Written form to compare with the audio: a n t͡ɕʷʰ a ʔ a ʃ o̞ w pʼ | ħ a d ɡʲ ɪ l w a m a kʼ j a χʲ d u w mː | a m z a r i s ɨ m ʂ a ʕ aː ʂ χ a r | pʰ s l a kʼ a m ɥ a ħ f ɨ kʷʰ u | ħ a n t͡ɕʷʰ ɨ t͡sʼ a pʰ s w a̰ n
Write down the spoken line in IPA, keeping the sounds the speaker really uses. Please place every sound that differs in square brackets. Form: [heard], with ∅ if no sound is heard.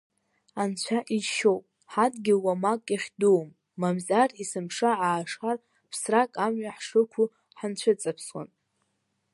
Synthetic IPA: a n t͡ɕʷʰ a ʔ [i] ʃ o̞ w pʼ | ħ a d ɡʲ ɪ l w a m a kʼ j a χʲ d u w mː | a m z a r i s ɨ m ʂ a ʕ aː ʂ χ a r | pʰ s [r] a kʼ a m ɥ a ħ [ʂ] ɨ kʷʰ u | ħ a n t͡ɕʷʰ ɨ t͡sʼ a pʰ s w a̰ n